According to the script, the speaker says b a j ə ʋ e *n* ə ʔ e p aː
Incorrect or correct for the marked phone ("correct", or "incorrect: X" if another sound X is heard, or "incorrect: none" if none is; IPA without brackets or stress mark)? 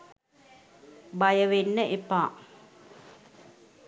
incorrect: nː